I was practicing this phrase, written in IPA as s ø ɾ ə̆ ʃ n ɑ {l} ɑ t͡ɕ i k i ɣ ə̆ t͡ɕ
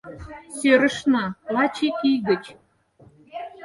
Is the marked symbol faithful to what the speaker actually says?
yes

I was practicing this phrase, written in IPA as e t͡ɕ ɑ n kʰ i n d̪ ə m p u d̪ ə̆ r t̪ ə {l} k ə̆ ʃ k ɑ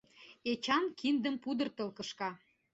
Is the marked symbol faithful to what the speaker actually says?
yes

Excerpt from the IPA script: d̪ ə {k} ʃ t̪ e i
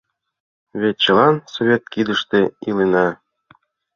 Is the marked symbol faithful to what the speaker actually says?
no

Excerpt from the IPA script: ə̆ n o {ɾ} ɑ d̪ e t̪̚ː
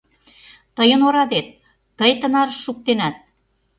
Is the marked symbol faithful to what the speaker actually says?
yes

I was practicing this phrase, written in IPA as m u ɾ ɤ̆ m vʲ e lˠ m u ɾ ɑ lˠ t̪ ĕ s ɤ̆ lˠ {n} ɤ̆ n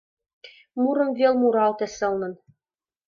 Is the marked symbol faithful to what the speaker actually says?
yes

